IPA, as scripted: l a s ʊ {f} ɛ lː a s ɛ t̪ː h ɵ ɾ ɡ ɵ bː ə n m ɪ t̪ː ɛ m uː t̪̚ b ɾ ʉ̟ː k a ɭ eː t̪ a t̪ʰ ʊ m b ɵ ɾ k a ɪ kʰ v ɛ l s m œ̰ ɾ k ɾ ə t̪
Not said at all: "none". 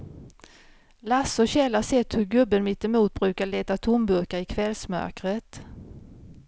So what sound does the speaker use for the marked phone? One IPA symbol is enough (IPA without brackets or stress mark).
ɕ